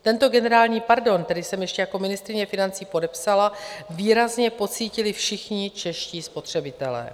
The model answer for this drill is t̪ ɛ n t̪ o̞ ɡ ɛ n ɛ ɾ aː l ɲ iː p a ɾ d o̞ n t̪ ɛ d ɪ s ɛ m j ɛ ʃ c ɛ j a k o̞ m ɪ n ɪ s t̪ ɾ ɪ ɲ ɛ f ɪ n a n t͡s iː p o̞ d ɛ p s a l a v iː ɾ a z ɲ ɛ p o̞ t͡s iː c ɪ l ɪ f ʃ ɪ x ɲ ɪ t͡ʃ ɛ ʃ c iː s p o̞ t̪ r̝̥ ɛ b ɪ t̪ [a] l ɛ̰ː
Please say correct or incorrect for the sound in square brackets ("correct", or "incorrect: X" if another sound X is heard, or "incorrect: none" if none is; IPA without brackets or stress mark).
incorrect: ɛ